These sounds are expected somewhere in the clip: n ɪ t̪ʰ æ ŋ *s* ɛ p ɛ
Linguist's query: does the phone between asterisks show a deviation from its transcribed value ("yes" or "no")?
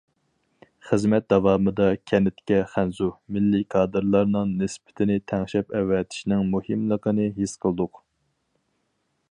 yes